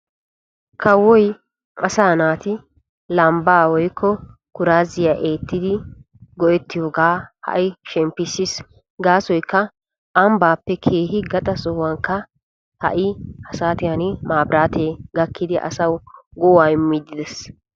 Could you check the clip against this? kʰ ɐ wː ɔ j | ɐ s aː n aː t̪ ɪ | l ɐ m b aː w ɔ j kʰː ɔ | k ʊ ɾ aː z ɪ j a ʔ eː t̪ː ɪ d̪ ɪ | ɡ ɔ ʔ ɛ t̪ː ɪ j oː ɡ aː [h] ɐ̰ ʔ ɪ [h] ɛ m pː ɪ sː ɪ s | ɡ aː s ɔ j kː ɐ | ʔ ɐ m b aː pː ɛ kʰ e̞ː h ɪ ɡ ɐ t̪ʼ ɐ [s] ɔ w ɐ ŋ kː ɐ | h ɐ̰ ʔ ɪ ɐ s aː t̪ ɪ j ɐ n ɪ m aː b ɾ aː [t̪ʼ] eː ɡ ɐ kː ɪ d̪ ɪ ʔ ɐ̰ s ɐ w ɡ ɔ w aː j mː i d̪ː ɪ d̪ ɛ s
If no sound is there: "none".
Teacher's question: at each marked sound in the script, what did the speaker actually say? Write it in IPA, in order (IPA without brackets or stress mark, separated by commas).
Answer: h, ʃ, s, t̪